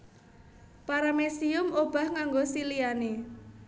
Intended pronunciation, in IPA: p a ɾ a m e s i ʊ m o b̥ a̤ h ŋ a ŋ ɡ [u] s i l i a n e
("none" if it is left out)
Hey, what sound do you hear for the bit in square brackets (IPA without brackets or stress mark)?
o